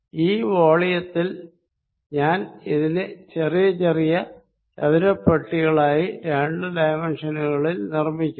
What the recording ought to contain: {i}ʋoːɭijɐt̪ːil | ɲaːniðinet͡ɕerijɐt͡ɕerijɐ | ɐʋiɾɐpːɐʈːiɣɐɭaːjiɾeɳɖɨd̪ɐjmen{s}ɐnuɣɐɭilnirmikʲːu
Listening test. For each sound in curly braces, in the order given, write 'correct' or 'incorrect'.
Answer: incorrect: iː, incorrect: ʂ

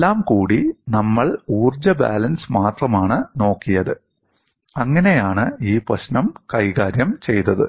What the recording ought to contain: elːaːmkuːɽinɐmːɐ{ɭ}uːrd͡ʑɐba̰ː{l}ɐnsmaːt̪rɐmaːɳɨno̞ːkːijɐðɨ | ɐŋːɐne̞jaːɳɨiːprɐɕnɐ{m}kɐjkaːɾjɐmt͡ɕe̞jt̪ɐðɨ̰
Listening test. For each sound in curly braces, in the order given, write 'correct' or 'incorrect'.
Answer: correct, correct, correct

